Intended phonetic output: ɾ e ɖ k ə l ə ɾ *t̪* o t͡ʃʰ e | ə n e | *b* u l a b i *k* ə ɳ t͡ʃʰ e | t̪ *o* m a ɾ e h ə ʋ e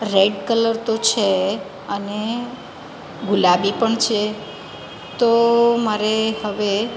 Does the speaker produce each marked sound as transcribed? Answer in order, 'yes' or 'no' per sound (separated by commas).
yes, no, no, yes